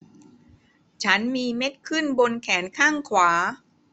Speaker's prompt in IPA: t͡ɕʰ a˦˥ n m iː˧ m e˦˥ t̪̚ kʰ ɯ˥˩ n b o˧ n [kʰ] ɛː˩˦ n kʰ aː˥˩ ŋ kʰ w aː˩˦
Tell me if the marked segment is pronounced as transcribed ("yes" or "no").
yes